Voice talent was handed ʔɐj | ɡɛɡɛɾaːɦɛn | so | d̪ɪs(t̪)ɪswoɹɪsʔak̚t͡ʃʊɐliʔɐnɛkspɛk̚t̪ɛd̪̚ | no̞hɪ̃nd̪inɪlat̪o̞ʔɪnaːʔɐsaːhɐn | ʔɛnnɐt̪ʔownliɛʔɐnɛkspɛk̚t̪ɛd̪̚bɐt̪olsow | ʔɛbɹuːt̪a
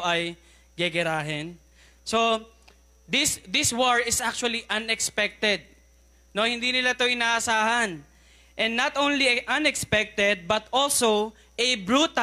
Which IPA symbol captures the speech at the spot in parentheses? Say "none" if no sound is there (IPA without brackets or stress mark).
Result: d̪